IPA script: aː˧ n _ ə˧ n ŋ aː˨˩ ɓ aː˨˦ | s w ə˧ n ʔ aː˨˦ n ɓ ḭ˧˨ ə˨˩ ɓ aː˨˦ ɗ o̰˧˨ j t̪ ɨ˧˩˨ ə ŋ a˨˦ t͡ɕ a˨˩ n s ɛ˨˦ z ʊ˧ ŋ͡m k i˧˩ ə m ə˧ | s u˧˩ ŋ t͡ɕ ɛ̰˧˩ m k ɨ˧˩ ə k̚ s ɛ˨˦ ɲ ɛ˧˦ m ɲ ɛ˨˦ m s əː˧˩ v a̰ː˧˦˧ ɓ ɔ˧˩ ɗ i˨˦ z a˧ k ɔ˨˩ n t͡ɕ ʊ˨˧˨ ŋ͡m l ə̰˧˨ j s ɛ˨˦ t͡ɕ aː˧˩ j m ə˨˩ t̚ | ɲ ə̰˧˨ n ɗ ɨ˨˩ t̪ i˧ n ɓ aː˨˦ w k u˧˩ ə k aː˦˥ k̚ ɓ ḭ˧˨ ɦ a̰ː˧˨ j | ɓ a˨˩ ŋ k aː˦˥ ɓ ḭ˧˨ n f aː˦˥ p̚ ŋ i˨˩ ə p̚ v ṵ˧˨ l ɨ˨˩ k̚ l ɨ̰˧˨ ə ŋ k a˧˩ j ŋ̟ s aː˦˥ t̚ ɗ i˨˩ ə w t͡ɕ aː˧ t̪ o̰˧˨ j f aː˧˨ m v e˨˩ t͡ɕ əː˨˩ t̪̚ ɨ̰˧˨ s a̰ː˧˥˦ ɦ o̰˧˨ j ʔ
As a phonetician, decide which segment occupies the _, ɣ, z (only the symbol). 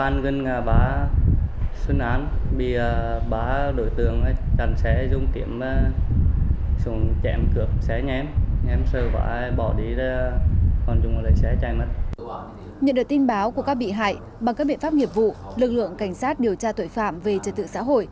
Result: ɣ